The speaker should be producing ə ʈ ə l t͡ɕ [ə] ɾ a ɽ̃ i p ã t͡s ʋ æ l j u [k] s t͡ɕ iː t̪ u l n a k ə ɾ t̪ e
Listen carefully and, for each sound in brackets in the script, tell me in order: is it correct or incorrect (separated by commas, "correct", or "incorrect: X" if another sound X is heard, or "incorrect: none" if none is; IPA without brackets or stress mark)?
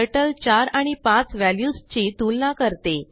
incorrect: a, incorrect: none